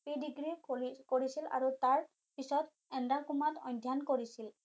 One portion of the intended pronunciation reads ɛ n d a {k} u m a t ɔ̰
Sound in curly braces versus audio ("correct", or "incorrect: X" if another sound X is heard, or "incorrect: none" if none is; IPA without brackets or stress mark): correct